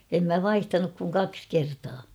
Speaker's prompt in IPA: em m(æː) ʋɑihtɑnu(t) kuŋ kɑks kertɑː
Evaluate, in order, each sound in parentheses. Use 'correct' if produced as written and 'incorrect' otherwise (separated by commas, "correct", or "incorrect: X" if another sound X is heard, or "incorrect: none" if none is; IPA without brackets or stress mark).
incorrect: æ, incorrect: k